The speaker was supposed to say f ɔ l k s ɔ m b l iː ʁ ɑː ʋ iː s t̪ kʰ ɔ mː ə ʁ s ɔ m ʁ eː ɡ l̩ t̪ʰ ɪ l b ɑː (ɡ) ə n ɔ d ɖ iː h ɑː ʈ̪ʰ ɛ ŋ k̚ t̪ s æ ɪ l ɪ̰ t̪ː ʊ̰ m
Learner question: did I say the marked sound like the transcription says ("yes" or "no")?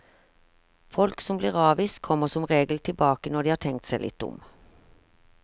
no